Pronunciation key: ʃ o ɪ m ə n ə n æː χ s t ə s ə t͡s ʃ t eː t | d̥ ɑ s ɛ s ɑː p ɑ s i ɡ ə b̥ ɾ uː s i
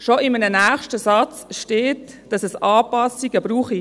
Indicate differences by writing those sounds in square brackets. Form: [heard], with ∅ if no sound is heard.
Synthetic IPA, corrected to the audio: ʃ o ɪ m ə n ə n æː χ [ʃ] t ə s [ɑ] t͡s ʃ t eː t | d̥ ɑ s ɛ s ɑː p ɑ s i ɡ ə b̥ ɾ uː [χ] i

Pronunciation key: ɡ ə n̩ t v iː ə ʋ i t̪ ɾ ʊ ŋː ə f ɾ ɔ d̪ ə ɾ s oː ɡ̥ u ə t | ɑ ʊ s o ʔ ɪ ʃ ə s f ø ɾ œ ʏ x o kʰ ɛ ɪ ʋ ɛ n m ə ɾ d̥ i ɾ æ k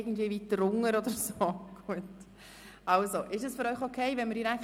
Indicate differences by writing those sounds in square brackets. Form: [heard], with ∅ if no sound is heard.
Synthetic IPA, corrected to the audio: ɡ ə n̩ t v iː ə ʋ i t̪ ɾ ʊ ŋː ə [∅] ɾ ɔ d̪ ə ɾ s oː ɡ̥ u ə t | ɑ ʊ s o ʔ ɪ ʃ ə s f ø ɾ œ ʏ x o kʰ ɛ ɪ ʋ ɛ n m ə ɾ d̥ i ɾ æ k

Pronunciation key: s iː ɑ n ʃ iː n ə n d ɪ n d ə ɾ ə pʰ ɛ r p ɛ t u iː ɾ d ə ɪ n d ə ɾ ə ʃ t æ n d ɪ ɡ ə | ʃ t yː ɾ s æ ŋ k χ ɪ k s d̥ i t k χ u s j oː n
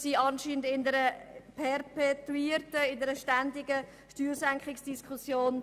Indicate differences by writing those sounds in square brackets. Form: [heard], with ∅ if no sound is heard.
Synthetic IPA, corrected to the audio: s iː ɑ n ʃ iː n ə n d ɪ n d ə ɾ ə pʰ ɛ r p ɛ t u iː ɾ [t] ə ɪ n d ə ɾ ə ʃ t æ n d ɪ ɡ ə | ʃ t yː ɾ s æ ŋ k χ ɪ k s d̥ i [s] k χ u s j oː n

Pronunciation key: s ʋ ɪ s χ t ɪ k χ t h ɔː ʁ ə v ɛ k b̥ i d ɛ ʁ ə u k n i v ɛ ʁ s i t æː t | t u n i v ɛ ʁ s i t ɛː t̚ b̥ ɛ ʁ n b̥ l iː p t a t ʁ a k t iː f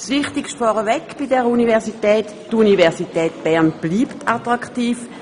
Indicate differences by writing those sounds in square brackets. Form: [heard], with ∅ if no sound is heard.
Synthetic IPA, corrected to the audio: s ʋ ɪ [∅] χ t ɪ k [ʃ] t [f] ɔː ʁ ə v ɛ k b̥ i d ɛ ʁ ə u [∅] n i v ɛ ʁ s i t [ɛː] t | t u n i v ɛ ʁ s i t ɛː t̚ b̥ ɛ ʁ n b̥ l iː p t a t ʁ a k t iː f

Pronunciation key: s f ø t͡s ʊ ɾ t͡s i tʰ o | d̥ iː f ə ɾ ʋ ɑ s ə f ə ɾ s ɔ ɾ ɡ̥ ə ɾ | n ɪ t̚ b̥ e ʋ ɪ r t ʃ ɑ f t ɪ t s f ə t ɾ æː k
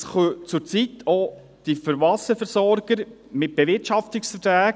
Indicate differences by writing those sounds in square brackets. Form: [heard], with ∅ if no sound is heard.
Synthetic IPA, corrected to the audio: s [χ] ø t͡s ʊ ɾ t͡s i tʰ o | d̥ [i] f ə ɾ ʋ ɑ s ə f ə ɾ s ɔ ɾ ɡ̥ ə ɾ | [m] ɪ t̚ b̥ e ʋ ɪ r t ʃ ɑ f t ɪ [k] s f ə t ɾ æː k

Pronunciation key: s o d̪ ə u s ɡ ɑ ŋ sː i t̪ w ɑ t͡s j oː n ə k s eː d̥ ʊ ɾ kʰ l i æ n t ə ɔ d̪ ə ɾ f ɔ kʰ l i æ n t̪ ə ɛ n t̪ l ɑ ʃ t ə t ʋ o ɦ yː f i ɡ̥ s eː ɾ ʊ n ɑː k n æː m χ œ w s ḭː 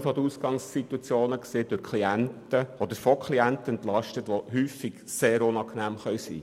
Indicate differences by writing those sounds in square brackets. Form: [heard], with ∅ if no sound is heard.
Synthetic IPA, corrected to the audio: [f] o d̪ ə u s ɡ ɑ ŋ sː i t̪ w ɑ t͡s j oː n ə k s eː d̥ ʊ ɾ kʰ l i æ n t ə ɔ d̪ ə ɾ f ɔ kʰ l i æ n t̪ ə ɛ n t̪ l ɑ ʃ t ə t ʋ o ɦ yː f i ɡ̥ s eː ɾ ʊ n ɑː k n æː m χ œ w s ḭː

